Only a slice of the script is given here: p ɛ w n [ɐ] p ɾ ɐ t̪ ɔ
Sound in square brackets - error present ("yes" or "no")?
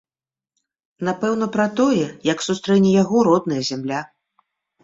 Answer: no